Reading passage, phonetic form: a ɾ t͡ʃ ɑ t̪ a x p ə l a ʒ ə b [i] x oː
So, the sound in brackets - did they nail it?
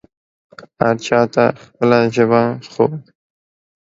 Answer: no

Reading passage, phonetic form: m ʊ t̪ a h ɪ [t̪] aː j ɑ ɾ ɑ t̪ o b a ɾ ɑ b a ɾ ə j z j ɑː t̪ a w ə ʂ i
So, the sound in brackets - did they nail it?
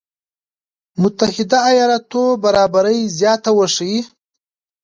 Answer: no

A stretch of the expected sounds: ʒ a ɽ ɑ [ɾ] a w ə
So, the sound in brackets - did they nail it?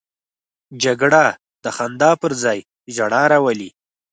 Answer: yes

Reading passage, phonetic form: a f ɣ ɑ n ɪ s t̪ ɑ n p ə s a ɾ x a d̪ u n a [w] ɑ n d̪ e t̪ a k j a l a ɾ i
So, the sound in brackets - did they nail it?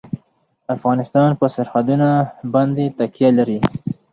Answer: no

